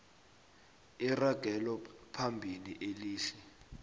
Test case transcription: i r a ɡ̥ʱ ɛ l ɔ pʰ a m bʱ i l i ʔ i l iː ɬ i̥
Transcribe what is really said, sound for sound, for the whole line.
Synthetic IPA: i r a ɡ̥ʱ ɛ l ɔ pʰ a m bʱ i l i ʔ e l iː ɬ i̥